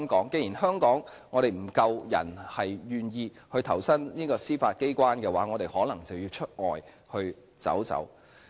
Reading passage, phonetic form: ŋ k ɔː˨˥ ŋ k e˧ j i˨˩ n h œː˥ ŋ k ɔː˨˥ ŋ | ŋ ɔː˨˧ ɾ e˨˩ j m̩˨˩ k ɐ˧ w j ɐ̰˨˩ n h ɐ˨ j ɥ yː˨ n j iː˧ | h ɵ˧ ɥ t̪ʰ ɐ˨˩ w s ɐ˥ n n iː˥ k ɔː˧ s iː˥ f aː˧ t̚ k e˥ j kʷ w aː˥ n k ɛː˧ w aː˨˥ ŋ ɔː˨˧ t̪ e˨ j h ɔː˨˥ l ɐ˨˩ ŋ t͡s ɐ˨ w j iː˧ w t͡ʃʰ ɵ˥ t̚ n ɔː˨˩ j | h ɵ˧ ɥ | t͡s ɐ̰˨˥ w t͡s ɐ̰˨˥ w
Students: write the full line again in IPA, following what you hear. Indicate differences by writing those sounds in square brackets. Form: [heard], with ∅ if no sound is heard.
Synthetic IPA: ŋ k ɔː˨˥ ŋ k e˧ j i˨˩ n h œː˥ ŋ k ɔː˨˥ ŋ | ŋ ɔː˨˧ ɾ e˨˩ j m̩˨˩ k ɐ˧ w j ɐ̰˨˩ n h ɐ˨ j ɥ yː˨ n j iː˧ | h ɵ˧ ɥ t̪ʰ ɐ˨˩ w s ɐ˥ n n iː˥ k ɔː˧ s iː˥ f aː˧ t̚ k e˥ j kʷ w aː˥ n k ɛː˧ w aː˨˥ ŋ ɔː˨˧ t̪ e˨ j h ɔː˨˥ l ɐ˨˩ ŋ t͡s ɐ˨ w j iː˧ w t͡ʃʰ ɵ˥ t̚ [ŋ] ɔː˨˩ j | h ɵ˧ ɥ | t͡s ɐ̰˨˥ w t͡s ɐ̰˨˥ w

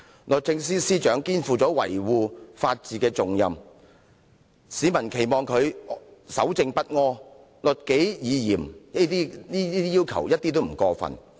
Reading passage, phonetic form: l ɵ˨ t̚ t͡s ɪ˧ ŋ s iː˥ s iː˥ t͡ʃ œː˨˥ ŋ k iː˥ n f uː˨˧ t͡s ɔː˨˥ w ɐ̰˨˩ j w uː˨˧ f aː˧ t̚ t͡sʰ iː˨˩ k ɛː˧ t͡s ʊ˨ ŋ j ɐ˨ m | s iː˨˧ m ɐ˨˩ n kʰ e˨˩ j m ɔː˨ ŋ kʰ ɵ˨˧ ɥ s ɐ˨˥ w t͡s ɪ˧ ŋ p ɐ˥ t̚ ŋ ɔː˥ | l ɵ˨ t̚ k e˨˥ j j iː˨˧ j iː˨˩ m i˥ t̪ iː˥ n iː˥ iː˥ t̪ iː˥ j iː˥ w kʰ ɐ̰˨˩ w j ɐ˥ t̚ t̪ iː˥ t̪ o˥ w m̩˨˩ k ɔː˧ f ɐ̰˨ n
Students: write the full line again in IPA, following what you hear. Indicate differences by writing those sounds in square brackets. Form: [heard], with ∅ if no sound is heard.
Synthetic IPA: l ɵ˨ t̚ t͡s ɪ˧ ŋ s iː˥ s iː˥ t͡ʃ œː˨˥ ŋ k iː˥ n f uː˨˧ t͡s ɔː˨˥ w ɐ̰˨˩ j w uː˨˧ f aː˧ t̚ [t͡s] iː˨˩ k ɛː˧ t͡s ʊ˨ ŋ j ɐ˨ m | s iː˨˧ m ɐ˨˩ n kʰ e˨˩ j m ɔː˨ ŋ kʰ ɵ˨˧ ɥ s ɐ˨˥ w t͡s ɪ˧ ŋ p ɐ˥ t̚ ŋ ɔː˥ | l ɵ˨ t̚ k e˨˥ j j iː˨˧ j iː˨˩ m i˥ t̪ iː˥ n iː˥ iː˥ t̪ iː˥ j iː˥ w kʰ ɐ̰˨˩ w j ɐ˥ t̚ t̪ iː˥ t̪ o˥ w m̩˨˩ k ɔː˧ f ɐ̰˨ n

